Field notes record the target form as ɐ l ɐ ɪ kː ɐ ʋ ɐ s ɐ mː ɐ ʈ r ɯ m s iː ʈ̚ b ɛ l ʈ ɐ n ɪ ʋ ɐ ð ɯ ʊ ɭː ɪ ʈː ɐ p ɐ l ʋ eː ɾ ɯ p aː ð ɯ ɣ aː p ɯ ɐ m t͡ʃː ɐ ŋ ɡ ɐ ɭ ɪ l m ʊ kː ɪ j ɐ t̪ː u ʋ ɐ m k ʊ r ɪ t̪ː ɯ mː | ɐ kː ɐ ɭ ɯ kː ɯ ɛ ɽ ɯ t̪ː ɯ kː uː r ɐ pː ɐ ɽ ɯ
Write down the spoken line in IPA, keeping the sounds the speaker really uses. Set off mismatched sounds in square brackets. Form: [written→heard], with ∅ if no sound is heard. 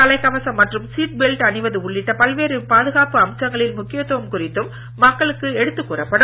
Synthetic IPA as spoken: ɐ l ɐ ɪ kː ɐ ʋ ɐ s ɐ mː ɐ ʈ r ɯ m s iː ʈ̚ b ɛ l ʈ ɐ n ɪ ʋ ɐ ð ɯ ʊ ɭː ɪ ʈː ɐ p ɐ l ʋ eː ɾ ɯ p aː ð ɯ ɣ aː p ɯ ɐ m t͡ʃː ɐ ŋ ɡ ɐ ɭ ɪ l m ʊ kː ɪ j ɐ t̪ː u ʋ ɐ m k ʊ r ɪ t̪ː ɯ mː | ɐ kː ɐ ɭ ɯ kː ɯ ɛ ɽ ɯ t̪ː ɯ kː uː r ɐ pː ɐ ɽ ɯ